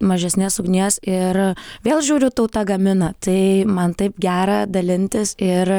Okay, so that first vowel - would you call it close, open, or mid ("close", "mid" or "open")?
open